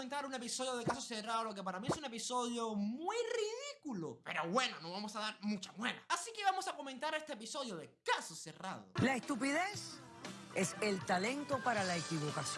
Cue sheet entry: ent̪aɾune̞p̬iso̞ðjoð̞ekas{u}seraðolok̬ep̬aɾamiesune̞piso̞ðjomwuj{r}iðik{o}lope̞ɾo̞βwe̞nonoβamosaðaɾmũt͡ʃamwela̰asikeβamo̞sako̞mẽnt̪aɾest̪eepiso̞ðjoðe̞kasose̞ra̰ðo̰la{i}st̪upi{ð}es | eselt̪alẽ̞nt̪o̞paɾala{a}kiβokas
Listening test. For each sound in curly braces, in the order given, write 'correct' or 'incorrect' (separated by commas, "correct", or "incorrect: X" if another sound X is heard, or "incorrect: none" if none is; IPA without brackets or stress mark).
incorrect: o, correct, incorrect: u, incorrect: e, correct, incorrect: e